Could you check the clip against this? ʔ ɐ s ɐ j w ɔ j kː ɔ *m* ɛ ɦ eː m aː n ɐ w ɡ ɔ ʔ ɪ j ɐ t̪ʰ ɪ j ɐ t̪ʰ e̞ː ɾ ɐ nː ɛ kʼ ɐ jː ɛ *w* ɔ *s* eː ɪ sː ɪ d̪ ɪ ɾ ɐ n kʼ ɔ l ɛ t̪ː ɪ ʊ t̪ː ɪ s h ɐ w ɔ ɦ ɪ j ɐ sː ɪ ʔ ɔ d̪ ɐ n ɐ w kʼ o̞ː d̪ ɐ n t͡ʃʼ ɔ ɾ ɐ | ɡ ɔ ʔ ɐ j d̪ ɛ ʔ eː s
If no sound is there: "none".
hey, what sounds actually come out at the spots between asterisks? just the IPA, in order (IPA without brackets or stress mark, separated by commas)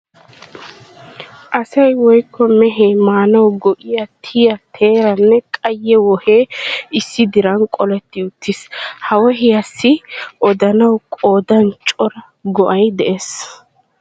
m, w, h